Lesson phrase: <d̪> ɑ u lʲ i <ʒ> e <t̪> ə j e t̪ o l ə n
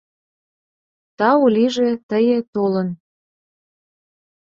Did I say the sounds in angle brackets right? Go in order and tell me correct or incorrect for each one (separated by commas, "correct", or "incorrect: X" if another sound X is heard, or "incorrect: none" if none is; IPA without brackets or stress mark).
incorrect: t̪, correct, correct